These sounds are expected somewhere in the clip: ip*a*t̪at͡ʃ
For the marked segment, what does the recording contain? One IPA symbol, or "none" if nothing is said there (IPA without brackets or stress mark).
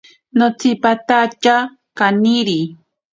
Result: a